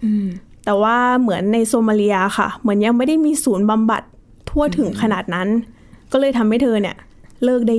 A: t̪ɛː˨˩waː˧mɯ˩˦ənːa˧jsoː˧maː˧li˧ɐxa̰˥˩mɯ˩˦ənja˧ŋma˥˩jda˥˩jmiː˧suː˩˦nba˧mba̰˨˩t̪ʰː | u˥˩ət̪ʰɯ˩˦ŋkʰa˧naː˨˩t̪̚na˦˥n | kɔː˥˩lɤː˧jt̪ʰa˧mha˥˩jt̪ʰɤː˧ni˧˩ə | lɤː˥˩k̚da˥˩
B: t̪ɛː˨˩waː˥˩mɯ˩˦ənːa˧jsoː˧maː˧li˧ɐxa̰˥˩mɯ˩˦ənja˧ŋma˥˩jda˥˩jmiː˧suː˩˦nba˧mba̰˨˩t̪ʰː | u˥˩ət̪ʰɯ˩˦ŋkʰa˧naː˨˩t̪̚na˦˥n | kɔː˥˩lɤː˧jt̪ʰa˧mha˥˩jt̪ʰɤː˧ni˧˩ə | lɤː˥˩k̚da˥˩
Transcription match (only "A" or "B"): B